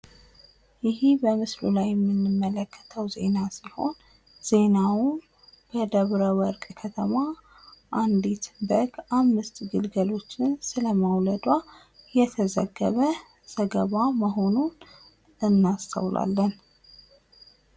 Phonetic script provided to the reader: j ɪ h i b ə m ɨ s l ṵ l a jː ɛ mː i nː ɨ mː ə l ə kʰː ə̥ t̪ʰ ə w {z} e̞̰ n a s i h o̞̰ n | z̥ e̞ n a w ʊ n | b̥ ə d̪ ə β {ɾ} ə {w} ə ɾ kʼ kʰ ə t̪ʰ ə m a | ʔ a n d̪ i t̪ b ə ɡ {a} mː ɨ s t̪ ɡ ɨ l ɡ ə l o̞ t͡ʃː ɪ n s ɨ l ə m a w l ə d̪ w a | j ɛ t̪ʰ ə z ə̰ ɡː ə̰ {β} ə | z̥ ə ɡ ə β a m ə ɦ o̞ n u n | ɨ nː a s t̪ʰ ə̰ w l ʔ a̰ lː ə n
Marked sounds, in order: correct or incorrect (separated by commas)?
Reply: correct, correct, correct, correct, correct